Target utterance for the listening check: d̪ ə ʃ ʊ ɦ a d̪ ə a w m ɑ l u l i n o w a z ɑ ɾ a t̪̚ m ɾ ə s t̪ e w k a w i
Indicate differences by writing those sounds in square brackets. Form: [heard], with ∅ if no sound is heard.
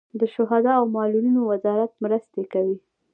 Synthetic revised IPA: d̪ ə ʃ ʊ ɦ a d̪ [ɑ] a w m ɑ l u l i n o w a z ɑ ɾ a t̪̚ m ɾ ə s t̪ e [∅] k a w i